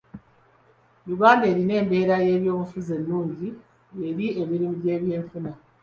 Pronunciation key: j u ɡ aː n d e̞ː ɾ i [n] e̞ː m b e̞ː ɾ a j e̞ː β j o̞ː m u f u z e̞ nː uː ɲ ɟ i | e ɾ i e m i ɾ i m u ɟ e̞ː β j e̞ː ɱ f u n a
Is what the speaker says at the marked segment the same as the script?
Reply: yes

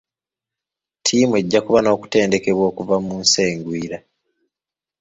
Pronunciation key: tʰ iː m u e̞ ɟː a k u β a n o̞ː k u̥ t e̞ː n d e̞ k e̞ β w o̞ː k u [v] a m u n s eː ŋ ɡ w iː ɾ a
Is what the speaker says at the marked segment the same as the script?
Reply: yes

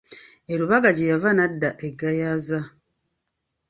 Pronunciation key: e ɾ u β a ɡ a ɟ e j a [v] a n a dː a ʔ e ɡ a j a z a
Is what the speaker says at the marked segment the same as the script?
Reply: yes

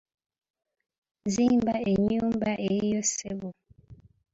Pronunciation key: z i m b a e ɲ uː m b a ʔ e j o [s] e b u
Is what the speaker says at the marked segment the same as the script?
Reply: yes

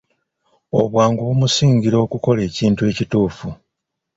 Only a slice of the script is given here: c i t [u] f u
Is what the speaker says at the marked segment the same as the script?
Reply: no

